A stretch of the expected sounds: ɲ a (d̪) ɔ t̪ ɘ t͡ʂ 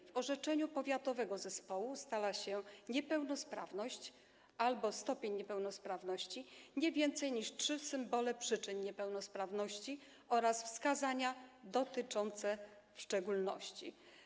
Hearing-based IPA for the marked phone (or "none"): d̪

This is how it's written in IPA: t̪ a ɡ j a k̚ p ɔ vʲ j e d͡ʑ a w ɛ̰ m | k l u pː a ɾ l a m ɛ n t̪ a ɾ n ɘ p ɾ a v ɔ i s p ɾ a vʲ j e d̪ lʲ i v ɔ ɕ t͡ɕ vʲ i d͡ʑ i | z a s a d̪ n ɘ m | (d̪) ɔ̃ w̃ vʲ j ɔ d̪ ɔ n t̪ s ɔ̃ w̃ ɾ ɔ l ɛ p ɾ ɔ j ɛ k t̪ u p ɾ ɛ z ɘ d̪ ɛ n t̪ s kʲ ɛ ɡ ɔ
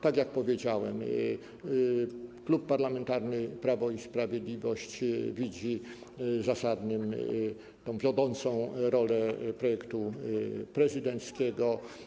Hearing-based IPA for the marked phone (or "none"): t̪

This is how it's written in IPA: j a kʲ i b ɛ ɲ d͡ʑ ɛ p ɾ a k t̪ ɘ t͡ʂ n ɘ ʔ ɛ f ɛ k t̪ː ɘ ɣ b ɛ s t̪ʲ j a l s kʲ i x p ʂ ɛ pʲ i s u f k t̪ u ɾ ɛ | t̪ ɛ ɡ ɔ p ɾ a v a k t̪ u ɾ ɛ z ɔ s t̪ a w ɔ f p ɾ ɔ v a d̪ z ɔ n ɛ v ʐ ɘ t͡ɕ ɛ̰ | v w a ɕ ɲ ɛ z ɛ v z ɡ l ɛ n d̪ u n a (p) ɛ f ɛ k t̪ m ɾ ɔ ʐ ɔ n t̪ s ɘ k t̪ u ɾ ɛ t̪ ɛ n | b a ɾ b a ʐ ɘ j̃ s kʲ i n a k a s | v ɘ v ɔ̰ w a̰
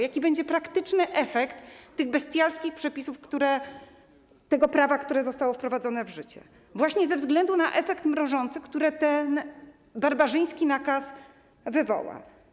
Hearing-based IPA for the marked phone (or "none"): ʔ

